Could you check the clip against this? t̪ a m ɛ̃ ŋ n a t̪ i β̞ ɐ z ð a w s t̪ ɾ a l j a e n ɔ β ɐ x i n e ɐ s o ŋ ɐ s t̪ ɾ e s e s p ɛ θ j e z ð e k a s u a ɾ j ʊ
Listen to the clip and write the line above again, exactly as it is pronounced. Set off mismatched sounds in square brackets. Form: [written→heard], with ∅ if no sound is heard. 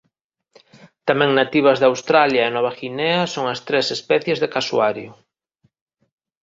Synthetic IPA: t̪ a m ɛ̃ ŋ n a t̪ i β̞ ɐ z ð a w s t̪ ɾ a l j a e n ɔ β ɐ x i n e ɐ s o ŋ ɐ s t̪ ɾ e s e s p ɛ θ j e z ð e k a s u a ɾ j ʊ